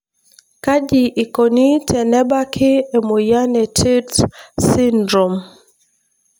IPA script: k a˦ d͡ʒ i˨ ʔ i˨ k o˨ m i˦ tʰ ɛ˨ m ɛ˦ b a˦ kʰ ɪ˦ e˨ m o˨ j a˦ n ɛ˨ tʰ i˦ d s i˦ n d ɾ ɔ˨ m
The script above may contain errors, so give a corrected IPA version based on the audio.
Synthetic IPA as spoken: k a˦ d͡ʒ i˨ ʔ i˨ k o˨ n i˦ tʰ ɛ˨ n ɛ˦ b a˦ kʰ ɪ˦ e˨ m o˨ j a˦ n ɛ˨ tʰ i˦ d s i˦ n d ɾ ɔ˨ m